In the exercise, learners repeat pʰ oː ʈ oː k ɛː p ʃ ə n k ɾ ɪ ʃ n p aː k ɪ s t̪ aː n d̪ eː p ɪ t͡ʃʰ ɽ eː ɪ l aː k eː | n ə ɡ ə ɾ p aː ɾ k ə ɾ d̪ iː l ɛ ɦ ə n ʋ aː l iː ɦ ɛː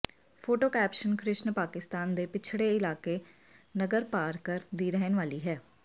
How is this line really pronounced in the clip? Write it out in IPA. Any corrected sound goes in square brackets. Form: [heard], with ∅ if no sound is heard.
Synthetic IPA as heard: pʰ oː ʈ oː k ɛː p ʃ ə n k ɾ ɪ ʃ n p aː k ɪ s t̪ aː n d̪ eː p ɪ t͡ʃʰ ɽ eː ɪ l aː k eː | n ə ɡ ə ɾ p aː ɾ k ə ɾ d̪ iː [ɾ] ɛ ɦ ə n ʋ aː l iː ɦ ɛː